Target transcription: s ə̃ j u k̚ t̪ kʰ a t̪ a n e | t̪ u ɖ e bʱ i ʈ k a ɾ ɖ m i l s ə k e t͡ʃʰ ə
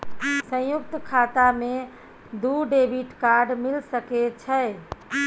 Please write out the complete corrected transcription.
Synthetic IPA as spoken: s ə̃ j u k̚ t̪ kʰ a t̪ a m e | d̪ u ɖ e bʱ i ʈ k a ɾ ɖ m i l s ə k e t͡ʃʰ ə